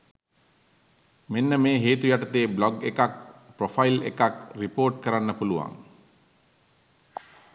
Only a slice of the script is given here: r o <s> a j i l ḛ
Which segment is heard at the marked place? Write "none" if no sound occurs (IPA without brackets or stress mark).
f